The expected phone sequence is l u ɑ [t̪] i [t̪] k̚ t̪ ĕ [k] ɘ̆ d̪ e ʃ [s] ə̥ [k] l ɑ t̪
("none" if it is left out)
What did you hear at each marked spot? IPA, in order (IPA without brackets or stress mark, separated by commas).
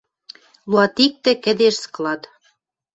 t̪, none, k, s, k